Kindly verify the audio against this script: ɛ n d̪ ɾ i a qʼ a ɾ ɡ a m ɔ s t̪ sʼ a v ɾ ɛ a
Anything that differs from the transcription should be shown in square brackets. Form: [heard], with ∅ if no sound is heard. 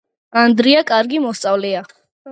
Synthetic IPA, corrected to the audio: [a] n d̪ ɾ i a [kʼ] a ɾ ɡ [i] m ɔ s t̪ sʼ a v [l] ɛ a